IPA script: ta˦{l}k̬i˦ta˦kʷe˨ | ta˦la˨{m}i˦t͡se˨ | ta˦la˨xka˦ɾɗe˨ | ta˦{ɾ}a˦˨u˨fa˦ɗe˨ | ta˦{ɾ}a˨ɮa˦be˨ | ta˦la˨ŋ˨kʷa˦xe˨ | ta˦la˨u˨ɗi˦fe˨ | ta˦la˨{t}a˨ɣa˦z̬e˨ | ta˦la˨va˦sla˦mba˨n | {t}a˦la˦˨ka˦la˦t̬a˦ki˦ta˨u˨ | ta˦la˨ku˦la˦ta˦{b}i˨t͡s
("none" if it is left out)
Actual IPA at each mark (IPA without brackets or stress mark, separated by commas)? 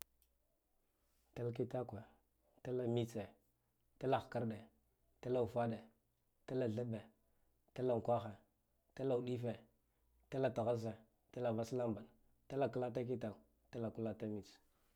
l, m, l, l, t, t, m